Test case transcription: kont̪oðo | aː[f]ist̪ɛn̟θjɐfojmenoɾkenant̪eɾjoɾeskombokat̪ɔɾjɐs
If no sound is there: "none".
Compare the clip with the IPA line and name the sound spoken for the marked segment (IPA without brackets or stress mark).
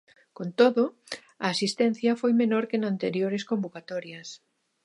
s